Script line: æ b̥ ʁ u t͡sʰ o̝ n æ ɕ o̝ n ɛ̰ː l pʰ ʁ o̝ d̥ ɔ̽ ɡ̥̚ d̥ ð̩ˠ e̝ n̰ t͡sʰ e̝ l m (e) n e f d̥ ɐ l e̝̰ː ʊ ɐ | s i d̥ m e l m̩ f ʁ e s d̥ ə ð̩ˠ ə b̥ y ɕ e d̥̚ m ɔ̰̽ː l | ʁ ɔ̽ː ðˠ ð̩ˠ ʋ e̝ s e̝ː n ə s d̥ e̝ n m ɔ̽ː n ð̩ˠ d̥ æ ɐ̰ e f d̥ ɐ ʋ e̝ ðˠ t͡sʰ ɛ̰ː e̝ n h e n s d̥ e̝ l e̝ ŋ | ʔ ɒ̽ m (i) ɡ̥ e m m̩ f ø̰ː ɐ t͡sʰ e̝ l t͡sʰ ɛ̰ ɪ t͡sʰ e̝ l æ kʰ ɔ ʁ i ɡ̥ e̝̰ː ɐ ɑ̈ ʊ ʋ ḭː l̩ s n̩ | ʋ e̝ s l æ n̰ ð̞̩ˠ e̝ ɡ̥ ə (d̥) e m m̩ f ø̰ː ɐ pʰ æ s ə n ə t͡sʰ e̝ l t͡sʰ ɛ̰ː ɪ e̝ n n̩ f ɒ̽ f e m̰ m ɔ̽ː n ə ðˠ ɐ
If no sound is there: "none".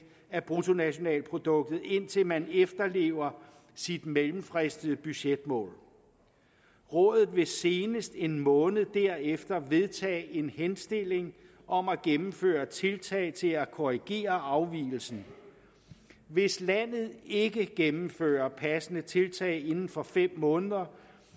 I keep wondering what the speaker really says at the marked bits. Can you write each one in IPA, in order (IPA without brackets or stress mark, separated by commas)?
æ, æ, ɡ̥